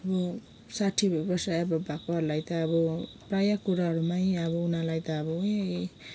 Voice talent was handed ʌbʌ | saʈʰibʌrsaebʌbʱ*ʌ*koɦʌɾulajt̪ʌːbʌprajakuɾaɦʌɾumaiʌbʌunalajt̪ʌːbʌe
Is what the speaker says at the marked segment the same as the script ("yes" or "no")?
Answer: no